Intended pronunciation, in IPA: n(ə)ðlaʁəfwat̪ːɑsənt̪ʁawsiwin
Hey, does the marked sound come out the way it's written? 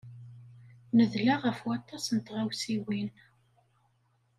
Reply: yes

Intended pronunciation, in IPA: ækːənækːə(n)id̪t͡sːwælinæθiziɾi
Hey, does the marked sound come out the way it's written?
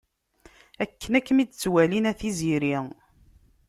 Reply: no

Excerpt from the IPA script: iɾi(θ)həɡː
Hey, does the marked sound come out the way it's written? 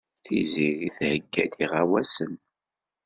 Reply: yes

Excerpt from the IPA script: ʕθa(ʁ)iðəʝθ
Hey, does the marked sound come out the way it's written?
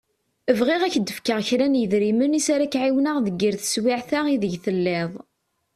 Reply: yes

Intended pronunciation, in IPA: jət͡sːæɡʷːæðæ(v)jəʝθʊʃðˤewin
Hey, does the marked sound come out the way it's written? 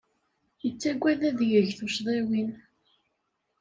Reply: no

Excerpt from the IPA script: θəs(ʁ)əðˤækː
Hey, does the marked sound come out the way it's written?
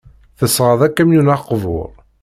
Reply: yes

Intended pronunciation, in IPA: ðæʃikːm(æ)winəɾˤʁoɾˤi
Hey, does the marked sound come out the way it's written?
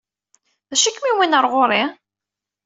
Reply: no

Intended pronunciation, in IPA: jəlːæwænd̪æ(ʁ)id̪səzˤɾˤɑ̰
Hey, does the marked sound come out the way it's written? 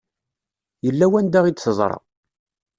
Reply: yes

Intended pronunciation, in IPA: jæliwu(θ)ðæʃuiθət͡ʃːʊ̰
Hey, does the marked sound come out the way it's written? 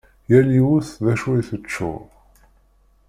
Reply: yes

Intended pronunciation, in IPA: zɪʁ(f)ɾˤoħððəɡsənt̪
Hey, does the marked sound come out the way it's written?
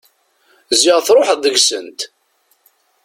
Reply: no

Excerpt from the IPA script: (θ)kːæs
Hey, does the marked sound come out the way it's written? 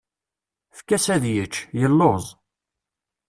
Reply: no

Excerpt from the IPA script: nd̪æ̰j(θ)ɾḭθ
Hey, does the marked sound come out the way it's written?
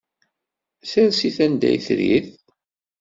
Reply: yes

